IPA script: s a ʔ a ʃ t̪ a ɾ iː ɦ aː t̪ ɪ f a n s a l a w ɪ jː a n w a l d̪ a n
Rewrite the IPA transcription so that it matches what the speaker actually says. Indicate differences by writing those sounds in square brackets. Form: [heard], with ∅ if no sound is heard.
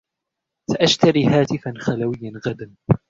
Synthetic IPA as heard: s a ʔ a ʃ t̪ a ɾ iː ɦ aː t̪ ɪ f a n [x] a l a w ɪ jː a n [ɣ] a [∅] d̪ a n